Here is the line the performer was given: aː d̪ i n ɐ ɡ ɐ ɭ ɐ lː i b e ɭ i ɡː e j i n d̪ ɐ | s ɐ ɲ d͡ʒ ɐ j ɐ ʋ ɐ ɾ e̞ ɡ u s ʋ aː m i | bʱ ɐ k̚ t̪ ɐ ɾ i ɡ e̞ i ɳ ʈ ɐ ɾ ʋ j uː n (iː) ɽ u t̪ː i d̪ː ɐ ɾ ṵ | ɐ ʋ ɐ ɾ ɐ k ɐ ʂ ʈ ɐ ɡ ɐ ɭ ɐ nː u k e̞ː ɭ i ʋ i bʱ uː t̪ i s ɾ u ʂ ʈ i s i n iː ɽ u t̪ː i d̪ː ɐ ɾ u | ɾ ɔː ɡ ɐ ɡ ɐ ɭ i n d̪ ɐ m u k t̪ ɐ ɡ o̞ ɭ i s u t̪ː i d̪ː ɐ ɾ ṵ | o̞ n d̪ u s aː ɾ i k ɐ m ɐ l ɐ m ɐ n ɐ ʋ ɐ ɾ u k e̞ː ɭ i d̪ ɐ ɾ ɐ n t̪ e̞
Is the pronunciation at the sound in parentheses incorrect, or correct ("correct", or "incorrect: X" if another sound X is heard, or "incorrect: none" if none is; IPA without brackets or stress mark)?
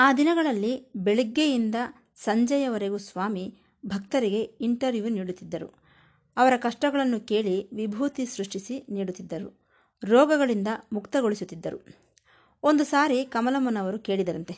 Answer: correct